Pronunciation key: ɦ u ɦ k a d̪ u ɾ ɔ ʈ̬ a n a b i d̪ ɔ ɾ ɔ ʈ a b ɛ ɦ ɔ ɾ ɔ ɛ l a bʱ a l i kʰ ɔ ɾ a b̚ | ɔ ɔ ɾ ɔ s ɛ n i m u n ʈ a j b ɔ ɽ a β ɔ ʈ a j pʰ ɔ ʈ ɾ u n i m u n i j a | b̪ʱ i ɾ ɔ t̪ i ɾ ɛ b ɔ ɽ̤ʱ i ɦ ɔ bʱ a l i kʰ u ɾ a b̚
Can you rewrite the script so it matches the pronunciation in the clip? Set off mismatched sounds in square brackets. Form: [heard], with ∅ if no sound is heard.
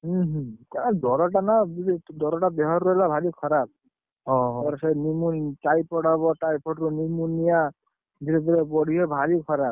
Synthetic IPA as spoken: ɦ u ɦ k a d̪ [ɔ] ɾ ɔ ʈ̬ a n a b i d̪ ɔ ɾ ɔ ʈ a b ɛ ɦ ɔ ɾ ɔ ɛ l a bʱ a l i kʰ ɔ ɾ a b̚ | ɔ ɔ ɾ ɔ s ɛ n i m u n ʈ a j [p] ɔ ɽ a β ɔ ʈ a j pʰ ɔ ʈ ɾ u n i m u n i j a | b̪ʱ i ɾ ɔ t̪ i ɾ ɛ b ɔ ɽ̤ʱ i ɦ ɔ bʱ a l i kʰ [ɔ] ɾ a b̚